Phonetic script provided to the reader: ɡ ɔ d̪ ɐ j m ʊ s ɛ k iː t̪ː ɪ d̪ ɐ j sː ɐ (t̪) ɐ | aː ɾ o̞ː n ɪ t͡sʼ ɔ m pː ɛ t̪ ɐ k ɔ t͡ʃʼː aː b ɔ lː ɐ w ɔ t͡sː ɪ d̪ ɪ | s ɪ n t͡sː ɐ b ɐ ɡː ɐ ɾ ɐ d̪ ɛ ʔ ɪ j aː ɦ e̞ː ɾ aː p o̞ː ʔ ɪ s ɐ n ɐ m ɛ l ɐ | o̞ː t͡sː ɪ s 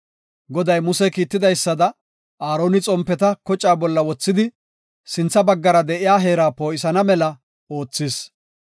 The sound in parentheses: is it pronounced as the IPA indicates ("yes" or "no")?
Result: no